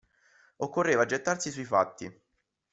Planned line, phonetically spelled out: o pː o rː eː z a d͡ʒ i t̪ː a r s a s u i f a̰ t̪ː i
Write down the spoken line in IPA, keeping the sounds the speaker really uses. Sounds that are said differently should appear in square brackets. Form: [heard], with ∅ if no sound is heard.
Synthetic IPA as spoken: o [kː] o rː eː [v] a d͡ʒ [e] t̪ː a r s [i] s u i f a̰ t̪ː i